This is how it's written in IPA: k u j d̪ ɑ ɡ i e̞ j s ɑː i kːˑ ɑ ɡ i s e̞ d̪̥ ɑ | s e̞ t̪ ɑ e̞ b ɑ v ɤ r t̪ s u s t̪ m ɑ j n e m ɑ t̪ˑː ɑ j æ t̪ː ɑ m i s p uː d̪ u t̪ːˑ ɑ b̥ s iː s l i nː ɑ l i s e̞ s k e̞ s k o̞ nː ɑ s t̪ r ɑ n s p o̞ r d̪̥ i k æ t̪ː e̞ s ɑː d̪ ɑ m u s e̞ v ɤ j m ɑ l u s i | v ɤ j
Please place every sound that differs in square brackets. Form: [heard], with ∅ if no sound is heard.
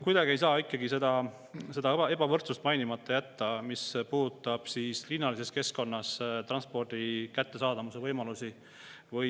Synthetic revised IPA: k u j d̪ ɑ ɡ i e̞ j s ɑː i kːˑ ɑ ɡ i s e̞ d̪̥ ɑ | s e̞ [d̪] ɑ e̞ b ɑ v ɤ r t̪ s u s t̪ m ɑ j n [i] m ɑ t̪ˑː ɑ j æ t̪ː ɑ m i s p uː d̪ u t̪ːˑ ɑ b̥ s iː s l i nː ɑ l i s e̞ s k e̞ s k o̞ nː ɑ s t̪ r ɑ n s p o̞ r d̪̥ i k æ t̪ː e̞ s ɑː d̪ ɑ m u s e̞ v ɤ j m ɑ l u s i | v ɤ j

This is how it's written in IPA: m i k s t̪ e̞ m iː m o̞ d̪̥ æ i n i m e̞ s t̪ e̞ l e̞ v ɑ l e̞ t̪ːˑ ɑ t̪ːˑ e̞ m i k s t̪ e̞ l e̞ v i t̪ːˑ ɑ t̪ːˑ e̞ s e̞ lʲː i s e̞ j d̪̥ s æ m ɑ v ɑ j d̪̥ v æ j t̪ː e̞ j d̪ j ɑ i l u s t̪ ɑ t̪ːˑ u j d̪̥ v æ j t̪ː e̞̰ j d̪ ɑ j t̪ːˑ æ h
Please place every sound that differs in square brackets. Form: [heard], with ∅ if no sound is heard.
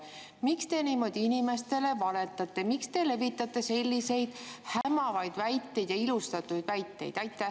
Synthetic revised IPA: m i k s t̪ e̞ [n] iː m o̞ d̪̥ [i] i n i m e̞ s t̪ e̞ l e̞ v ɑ l e̞ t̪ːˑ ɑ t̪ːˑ e̞ m i k s t̪ e̞ l e̞ v i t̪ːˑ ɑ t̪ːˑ e̞ s e̞ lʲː i s e̞ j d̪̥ [h] æ m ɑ v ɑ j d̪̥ v æ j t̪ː e̞ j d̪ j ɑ i l u s t̪ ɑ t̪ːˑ u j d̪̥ v æ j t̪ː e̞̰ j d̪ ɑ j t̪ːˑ æ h

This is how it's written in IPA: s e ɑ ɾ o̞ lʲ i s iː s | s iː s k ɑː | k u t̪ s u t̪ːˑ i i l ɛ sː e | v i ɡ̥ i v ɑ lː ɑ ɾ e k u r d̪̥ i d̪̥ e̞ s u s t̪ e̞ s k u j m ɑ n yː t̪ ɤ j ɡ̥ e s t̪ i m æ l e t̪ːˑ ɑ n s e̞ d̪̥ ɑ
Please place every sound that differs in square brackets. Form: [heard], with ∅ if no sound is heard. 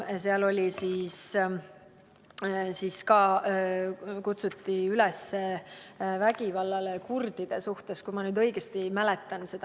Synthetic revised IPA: s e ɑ [l] o̞ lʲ i s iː s | s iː s k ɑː | k u t̪ s u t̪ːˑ i [y] l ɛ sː e | v [æ] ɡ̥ i v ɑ lː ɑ [l] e k u r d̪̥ i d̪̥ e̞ s u [h] t̪ e̞ s k u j m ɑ n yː [d̪] ɤ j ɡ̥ e s t̪ i m æ l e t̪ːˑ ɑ n s e̞ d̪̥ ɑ

